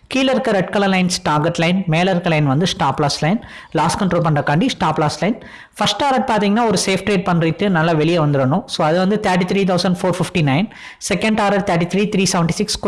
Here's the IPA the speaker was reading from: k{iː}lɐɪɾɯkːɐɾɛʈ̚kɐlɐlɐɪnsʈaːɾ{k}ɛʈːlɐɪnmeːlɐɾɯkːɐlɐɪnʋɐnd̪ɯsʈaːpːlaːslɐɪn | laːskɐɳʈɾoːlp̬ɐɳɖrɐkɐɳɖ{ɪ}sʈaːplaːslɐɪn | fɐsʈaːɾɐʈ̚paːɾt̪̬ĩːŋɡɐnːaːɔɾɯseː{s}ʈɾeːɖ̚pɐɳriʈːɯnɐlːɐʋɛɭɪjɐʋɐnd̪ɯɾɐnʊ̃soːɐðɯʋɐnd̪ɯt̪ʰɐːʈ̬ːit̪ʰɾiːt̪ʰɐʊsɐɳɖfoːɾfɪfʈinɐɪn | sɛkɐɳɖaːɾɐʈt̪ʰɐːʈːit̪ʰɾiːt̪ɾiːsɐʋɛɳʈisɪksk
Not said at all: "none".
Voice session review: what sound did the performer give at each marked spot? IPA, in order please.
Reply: iː, ɡ, i, f

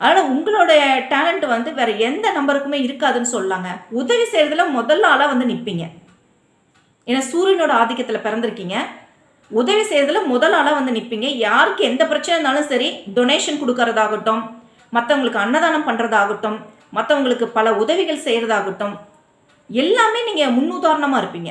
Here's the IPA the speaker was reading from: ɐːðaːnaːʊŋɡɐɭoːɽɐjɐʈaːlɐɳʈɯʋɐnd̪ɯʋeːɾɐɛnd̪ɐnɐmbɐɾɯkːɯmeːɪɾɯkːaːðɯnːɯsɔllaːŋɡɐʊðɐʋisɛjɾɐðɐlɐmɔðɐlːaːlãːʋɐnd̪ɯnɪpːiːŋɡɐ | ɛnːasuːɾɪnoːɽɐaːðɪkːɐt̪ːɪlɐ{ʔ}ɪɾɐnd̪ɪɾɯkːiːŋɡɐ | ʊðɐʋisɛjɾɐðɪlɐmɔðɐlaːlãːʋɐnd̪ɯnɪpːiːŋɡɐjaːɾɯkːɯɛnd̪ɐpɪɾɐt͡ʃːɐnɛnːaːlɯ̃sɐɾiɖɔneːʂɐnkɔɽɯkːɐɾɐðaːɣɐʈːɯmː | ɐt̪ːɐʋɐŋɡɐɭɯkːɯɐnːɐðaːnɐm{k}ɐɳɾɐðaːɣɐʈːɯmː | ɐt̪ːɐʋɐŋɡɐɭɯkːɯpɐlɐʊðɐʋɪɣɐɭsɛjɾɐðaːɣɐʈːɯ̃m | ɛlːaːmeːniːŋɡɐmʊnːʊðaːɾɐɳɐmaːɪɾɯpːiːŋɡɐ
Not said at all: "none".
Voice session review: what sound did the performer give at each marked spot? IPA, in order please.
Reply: p, p

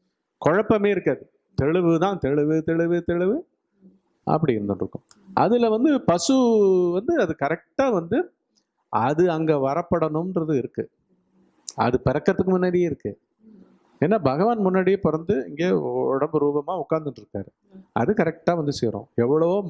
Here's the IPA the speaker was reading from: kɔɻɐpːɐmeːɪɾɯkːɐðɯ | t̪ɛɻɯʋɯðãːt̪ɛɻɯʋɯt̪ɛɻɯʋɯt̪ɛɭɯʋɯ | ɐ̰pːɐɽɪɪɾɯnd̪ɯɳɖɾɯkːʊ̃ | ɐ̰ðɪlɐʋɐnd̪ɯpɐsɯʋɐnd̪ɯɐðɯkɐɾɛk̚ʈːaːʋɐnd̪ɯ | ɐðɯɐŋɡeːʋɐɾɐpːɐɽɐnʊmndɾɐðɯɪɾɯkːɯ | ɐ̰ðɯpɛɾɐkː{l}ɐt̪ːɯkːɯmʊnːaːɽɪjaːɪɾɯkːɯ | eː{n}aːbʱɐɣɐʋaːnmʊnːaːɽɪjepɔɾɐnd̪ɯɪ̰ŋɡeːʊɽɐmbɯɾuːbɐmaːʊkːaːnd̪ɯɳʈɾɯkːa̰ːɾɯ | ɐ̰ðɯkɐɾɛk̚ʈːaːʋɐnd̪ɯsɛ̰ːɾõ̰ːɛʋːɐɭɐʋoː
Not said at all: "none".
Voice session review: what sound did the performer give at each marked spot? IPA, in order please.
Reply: ɾ, nː

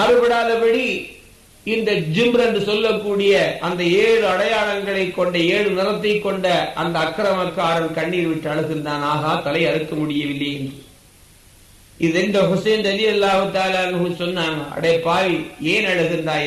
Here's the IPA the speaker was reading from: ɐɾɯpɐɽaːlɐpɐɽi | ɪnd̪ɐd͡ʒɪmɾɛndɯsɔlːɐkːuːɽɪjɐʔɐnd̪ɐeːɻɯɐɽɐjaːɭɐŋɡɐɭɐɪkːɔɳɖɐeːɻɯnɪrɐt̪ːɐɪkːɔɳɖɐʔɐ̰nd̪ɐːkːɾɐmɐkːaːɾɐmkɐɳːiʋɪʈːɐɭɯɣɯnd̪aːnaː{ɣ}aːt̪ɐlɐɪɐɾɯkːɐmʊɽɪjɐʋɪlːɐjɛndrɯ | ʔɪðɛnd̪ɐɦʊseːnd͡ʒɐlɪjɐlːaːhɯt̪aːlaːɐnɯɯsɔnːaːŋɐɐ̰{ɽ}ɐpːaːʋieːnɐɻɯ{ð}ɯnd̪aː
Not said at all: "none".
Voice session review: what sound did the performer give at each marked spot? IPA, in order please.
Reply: ɣ, ɽ, ɣ

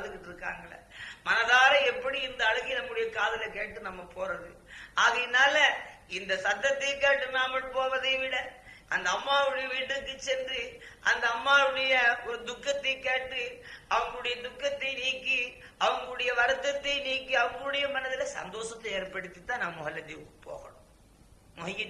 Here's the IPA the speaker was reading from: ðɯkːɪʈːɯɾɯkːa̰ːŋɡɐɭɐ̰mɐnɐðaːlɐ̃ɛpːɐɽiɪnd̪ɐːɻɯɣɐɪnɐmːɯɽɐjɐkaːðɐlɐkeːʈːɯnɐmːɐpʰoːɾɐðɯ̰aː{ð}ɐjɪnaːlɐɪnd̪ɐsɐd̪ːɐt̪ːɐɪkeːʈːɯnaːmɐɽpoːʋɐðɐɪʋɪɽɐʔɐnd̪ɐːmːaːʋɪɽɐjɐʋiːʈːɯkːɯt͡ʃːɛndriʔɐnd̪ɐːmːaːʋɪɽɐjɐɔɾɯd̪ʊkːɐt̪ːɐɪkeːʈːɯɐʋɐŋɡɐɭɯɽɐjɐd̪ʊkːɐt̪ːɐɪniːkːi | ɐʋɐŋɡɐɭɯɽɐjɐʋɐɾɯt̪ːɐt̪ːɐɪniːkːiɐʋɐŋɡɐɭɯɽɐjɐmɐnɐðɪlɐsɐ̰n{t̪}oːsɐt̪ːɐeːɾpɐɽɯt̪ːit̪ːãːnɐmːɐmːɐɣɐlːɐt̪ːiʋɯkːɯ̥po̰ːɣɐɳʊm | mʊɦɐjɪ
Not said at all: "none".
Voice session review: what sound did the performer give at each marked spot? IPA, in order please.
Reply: ɣ, d̪

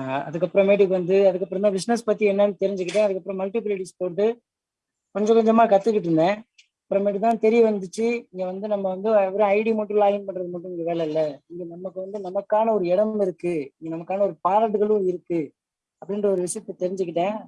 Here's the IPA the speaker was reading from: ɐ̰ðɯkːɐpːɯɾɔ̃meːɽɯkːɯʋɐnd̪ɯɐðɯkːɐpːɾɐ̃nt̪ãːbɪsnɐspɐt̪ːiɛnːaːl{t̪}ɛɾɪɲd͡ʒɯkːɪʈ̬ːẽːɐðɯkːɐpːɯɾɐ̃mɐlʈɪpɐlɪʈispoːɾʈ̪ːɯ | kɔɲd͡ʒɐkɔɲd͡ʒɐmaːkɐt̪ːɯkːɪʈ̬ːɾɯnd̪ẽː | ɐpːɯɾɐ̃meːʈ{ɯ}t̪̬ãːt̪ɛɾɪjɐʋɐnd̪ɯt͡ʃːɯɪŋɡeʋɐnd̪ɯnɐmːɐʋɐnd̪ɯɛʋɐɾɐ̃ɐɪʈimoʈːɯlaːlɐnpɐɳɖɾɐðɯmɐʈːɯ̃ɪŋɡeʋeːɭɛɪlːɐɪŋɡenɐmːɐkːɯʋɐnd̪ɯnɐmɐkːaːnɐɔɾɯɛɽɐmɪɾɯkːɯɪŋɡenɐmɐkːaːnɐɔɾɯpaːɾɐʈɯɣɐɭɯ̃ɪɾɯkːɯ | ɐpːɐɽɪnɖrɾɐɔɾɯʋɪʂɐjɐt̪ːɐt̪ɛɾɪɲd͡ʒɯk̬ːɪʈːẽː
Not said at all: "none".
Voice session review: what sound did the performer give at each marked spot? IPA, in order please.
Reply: t̪, ɯ

